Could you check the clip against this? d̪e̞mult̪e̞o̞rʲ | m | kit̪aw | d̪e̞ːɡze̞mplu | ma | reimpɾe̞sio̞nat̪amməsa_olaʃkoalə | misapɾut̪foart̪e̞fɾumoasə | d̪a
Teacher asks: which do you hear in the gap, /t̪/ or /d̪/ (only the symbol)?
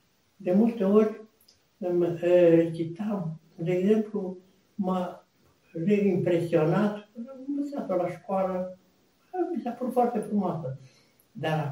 t̪